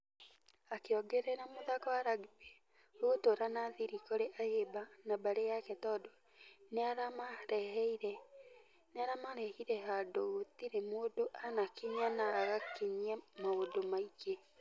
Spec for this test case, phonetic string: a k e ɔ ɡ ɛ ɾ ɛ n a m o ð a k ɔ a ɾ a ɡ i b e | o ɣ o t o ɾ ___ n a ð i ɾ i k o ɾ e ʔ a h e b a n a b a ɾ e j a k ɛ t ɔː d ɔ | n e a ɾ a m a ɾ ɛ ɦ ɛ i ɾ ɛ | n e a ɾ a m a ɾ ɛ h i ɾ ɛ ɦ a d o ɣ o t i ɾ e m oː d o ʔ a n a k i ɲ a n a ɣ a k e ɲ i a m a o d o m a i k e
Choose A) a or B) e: A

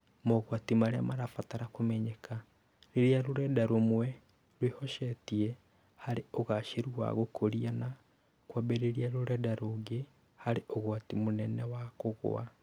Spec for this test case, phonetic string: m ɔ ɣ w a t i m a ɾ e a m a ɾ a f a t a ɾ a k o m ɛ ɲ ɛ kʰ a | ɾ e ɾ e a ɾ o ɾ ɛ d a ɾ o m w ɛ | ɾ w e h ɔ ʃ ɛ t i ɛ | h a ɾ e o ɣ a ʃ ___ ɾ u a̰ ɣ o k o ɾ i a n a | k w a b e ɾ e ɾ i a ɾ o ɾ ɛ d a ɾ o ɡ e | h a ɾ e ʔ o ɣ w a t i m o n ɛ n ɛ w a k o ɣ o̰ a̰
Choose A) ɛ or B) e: B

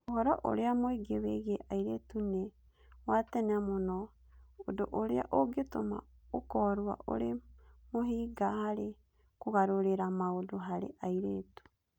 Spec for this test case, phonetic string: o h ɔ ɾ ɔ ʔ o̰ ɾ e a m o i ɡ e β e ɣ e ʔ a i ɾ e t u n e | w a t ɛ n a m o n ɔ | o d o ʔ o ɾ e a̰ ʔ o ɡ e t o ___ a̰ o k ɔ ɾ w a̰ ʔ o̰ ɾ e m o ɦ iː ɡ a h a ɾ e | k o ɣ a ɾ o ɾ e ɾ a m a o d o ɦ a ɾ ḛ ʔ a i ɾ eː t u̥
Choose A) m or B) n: A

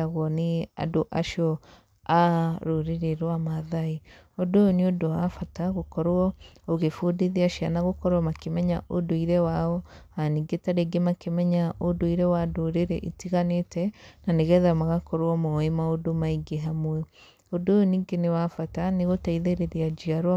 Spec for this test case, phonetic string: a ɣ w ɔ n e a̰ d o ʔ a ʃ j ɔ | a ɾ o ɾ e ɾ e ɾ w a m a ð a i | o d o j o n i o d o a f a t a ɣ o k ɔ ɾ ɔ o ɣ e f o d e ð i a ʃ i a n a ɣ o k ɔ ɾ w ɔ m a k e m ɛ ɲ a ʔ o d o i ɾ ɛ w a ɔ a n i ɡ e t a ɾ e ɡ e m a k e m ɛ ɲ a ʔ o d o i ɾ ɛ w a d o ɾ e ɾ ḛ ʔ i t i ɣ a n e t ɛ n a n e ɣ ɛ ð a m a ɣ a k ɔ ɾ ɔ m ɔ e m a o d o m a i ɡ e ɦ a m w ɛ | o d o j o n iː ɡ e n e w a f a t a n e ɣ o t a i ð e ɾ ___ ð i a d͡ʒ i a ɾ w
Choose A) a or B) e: B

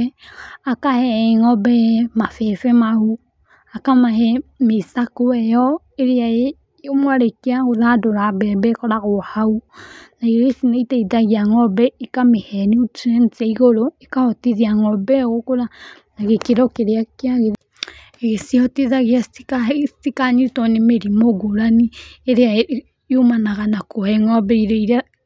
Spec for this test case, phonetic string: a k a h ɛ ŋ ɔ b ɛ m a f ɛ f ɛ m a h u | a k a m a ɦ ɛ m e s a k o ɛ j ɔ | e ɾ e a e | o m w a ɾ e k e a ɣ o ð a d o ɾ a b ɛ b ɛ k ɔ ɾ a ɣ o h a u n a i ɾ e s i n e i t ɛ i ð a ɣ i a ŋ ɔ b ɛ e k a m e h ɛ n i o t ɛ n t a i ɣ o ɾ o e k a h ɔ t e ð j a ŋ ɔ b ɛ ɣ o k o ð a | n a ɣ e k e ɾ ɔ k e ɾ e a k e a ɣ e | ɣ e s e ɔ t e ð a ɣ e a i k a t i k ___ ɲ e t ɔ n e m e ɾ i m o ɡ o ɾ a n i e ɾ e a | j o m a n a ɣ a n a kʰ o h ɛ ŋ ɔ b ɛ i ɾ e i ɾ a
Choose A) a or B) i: A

